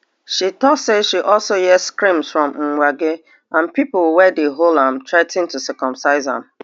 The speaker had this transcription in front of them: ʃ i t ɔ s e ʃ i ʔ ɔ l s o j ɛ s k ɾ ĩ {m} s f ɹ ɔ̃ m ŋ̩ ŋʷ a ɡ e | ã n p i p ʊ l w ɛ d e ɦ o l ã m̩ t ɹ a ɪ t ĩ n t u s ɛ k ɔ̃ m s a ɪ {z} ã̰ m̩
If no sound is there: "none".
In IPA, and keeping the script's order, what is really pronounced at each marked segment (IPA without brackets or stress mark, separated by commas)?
m, z